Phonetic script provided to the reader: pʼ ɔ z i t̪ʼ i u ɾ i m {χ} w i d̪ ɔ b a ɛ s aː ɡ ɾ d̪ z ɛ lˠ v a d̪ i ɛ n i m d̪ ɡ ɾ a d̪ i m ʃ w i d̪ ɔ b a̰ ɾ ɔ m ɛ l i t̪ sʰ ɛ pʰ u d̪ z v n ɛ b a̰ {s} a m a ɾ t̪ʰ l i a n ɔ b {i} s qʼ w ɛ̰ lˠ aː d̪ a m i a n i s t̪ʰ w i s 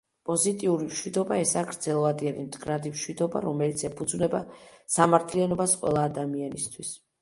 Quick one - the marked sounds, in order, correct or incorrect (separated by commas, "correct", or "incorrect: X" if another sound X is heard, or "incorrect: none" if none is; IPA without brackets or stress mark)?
incorrect: ʃ, correct, incorrect: a